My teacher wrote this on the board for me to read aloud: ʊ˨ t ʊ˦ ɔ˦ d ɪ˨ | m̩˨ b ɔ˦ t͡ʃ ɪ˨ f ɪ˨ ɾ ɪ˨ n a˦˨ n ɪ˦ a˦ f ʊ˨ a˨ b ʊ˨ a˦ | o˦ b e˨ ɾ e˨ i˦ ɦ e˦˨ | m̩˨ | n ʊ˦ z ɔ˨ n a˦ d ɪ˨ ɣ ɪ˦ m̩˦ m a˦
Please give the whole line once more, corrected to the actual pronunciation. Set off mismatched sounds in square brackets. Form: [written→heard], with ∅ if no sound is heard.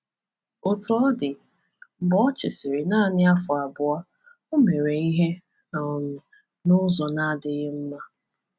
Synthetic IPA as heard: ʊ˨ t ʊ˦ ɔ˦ d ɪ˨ | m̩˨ b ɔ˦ t͡ʃ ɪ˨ [f→s] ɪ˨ ɾ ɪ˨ n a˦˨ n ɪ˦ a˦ f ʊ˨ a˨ b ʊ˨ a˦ | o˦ [b→m] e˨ ɾ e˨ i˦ ɦ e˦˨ | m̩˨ | n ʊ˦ z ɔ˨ n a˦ d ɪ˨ ɣ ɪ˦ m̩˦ m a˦